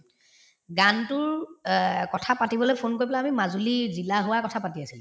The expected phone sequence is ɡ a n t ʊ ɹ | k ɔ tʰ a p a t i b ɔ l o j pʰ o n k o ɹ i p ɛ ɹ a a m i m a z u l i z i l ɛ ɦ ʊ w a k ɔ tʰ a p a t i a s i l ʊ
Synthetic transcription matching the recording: ɡ a n t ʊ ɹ | k ɔ tʰ a p a t i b ɔ l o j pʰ o n k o ɹ i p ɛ l a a m i m a z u l i z i l a ɦ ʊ w a k ɔ tʰ a p a t i a s i l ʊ